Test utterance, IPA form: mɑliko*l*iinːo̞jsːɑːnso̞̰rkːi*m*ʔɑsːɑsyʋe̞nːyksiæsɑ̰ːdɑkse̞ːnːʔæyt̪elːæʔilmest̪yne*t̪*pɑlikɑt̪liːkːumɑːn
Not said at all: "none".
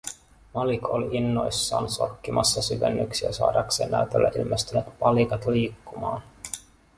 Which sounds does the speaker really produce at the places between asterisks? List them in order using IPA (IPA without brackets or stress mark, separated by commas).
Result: l, m, t̪